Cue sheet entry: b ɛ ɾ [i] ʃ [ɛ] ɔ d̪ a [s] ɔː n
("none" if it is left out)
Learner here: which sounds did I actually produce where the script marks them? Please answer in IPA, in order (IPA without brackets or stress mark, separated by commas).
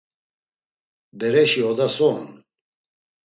ɛ, i, s